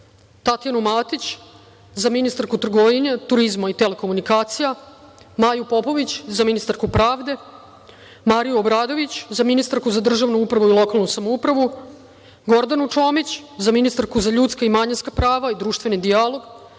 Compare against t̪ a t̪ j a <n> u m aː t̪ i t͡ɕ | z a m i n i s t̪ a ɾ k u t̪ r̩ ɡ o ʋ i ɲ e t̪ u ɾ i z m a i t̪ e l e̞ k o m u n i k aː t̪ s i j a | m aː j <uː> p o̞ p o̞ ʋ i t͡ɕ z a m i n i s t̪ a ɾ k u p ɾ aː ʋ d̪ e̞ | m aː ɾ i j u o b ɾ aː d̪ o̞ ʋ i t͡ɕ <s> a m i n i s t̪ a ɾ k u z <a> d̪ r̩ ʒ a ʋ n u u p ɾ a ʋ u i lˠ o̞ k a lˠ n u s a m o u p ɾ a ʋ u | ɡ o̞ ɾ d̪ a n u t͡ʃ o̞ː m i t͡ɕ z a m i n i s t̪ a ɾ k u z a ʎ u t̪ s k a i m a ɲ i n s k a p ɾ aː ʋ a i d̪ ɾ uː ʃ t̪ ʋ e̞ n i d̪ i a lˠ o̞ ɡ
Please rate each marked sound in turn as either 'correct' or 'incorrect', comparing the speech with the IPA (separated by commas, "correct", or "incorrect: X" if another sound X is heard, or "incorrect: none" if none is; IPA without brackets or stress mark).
correct, incorrect: u, incorrect: z, correct